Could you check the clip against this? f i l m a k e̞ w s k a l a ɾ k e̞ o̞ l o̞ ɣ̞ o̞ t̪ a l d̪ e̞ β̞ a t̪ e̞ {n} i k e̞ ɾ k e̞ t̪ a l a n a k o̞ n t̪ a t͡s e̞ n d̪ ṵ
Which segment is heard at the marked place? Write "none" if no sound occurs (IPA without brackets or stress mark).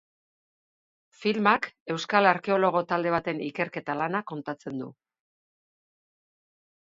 n